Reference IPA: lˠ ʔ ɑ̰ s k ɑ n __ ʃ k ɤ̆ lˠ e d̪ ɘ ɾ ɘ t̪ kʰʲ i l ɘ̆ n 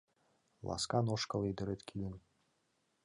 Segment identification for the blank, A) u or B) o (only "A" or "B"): B